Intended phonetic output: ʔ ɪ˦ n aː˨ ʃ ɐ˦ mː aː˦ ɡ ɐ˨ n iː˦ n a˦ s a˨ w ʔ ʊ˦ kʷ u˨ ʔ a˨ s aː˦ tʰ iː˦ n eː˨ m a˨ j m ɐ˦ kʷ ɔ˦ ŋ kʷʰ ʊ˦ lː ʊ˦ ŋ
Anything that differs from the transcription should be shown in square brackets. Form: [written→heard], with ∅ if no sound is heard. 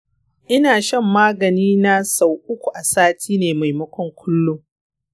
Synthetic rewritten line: ʔ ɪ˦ n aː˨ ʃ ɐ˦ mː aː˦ ɡ ɐ˨ n iː˦ n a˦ s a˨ w ʔ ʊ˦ kʷ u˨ ʔ a˨ s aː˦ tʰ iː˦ n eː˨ m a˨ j m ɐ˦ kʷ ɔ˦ ŋ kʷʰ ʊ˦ lː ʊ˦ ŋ